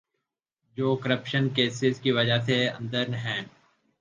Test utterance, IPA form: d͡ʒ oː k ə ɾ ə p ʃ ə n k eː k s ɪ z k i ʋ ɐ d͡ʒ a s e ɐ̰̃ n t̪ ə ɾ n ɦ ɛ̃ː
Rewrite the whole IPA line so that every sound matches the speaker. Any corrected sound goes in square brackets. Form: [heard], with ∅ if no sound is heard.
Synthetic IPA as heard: d͡ʒ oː k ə ɾ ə p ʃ ə n k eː [∅] s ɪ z k i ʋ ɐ d͡ʒ a s e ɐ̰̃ n [d̪] ə ɾ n ɦ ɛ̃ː